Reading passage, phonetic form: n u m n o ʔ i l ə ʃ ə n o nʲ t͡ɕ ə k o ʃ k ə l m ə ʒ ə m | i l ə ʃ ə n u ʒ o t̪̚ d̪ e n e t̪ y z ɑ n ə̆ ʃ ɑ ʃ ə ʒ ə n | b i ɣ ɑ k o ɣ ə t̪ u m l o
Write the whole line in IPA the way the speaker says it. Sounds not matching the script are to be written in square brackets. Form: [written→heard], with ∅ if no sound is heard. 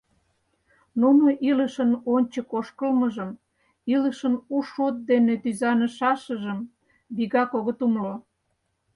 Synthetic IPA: n u [m→∅] n o ʔ i l ə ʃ ə n o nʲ t͡ɕ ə k o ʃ k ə l m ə ʒ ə m | i l ə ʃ ə n u [ʒ→ʃ] o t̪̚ d̪ e n e t̪ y z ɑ n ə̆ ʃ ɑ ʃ ə ʒ ə [n→m] | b i ɣ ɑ k o ɣ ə t̪ u m l o